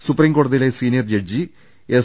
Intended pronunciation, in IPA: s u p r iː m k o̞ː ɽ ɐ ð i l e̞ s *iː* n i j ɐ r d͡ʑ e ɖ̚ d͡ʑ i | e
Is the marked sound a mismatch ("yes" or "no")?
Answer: no